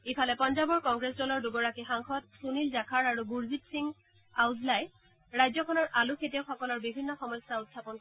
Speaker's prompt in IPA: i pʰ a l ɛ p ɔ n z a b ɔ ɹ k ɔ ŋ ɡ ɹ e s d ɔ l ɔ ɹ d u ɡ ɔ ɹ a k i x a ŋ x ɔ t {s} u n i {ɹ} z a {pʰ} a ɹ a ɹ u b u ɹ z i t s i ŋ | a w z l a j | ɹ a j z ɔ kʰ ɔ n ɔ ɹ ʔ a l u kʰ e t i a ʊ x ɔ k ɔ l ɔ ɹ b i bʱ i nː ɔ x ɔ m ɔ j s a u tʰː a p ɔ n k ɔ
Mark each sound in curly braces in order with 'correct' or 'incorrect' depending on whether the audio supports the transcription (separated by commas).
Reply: correct, incorrect, incorrect